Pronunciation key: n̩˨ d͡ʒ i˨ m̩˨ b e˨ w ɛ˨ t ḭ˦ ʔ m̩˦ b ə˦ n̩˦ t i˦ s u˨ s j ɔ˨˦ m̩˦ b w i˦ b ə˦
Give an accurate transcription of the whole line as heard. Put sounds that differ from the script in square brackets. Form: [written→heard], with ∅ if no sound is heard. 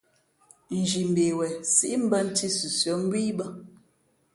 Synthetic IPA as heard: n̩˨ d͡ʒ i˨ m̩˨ b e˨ w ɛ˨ [t→s] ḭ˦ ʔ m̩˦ b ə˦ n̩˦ t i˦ s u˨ s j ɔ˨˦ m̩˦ b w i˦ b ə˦